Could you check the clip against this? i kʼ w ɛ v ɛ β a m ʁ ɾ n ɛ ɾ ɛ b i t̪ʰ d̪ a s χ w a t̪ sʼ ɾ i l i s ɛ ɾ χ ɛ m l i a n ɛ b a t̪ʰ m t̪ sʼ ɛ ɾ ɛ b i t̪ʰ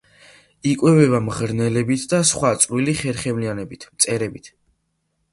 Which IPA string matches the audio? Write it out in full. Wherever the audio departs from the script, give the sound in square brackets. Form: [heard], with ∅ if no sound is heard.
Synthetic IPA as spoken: i kʼ w ɛ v ɛ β a m ʁ ɾ n ɛ [l] ɛ b i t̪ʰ d̪ a s χ w a t̪ sʼ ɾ i l i [χ] ɛ ɾ χ ɛ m l i a n ɛ b [i] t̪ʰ m t̪ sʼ ɛ ɾ ɛ b i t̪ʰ